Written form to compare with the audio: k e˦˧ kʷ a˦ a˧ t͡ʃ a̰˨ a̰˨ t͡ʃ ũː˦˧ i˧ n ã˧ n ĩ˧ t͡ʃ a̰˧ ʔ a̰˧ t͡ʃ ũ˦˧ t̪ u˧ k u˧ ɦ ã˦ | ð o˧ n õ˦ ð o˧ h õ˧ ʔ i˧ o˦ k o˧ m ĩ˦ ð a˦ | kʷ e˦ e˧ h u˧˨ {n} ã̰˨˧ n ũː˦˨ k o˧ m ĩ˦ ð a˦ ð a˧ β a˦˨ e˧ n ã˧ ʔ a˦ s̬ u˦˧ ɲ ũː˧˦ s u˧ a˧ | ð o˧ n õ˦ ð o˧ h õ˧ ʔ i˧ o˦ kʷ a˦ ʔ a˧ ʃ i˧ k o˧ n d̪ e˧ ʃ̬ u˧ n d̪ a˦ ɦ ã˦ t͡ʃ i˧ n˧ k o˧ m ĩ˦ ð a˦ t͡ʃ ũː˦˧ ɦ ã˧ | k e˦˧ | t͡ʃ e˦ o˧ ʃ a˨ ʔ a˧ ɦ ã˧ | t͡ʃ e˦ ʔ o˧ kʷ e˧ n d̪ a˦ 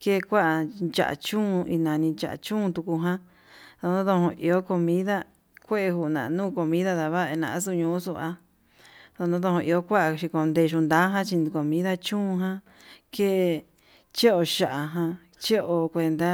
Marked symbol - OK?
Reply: yes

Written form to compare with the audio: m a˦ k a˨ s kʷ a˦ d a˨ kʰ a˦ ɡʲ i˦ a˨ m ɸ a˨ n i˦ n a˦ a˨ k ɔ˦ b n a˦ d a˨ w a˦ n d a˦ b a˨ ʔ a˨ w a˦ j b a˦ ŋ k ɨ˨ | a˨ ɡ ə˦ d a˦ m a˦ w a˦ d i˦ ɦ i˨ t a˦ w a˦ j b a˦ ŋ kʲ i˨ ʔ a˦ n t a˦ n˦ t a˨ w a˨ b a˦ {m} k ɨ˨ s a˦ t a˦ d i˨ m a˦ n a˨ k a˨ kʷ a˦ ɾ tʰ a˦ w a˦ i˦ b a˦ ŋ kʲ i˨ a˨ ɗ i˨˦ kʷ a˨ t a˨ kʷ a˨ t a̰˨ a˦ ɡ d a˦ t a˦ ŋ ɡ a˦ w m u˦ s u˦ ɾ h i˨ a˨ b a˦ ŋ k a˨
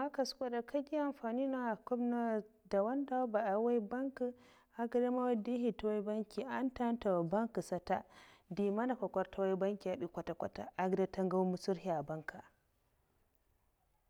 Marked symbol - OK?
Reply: no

